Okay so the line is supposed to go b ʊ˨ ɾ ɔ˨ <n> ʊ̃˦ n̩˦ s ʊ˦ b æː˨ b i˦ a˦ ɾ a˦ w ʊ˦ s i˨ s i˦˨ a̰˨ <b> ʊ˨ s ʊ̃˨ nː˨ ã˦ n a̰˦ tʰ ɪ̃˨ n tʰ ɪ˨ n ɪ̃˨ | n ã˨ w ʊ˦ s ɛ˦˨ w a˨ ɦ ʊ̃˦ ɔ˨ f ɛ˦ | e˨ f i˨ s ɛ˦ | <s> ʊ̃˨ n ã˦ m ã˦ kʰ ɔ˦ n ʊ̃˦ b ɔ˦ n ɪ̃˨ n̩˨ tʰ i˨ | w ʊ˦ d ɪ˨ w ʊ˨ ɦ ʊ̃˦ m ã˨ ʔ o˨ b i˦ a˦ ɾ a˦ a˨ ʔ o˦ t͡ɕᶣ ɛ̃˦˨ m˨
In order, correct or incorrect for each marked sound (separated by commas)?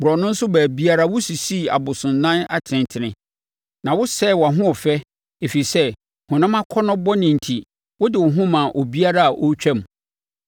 correct, correct, incorrect